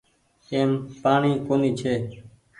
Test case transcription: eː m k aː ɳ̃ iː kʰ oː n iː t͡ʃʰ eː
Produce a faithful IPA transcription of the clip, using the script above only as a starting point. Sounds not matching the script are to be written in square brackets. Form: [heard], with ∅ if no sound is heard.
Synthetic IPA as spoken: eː m [p] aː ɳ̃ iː [k] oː n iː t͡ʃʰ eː